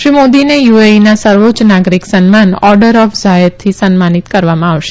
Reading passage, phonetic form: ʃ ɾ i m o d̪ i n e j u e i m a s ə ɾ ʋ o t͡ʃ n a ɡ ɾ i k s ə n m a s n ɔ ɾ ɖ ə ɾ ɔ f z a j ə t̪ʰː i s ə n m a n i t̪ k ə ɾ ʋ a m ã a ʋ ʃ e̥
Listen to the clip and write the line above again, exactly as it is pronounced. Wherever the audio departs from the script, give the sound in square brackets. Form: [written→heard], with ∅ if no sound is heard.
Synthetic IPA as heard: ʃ ɾ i m o d̪ i n e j u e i [m→n] a s ə ɾ ʋ o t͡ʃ n a ɡ ɾ i k s ə n m a [s→∅] n ɔ ɾ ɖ ə ɾ ɔ f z a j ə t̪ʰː i s ə n m a n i t̪ k ə ɾ ʋ a m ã a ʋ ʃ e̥

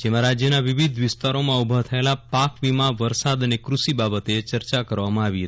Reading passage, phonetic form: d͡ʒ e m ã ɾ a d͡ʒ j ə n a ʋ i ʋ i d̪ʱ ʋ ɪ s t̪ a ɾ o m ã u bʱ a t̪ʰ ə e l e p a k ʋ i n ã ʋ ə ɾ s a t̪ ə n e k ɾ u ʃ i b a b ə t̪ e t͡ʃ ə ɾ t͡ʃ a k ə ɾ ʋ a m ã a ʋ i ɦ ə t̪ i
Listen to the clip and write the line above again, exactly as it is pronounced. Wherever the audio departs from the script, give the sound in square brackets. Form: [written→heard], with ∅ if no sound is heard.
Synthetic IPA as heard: d͡ʒ e m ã ɾ a d͡ʒ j ə n a ʋ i ʋ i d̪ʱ ʋ ɪ s t̪ a ɾ o m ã u bʱ a t̪ʰ ə e l [e→a] p a k ʋ i [n→m] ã ʋ ə ɾ s a [t̪→d̪] ə n e k ɾ u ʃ i b a b ə t̪ e t͡ʃ ə ɾ t͡ʃ a k ə ɾ ʋ a m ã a ʋ i ɦ ə t̪ i

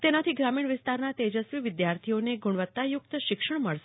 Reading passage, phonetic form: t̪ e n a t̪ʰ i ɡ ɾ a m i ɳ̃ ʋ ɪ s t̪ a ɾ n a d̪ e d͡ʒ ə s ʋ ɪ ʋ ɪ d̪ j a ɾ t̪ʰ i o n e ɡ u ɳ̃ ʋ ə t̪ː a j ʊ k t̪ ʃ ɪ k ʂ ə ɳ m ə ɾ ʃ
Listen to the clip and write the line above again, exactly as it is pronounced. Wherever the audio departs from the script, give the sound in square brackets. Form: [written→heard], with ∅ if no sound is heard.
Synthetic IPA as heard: t̪ e n a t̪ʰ i ɡ ɾ a m i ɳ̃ ʋ ɪ s t̪ a ɾ n a [d̪→t̪] e d͡ʒ ə s ʋ [ɪ→i] ʋ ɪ d̪ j a ɾ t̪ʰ i o n e ɡ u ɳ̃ ʋ ə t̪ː a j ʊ k t̪ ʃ ɪ k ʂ ə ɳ m ə [ɾ→ɭ] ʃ

